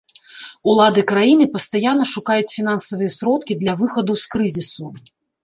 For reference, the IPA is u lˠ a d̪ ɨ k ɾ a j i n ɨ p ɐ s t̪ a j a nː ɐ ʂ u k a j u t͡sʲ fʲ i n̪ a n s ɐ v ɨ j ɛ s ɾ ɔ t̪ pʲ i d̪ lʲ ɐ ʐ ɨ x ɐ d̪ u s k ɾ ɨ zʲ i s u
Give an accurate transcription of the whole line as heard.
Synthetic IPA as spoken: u lˠ a d̪ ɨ k ɾ a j i n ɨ p ɐ s t̪ a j a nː ɐ ʂ u k a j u t͡sʲ fʲ i n̪ a n s ɐ v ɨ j ɛ s ɾ ɔ t̪ kʲ i d̪ lʲ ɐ v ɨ x ɐ d̪ u s k ɾ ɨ zʲ i s u